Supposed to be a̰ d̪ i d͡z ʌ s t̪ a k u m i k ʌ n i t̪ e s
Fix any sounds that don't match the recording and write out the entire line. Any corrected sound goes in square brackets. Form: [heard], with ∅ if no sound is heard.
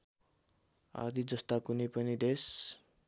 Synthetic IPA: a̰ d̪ i d͡z ʌ s t̪ a k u [n] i [p] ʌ n i [d̪] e s